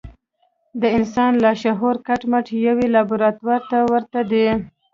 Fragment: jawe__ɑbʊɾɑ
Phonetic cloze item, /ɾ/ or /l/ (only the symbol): l